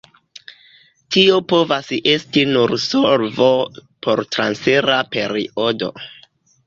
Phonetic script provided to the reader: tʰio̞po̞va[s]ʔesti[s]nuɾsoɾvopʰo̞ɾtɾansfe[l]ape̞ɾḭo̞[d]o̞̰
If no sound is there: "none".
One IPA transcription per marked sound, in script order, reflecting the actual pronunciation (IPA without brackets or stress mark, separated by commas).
s, none, ɾ, d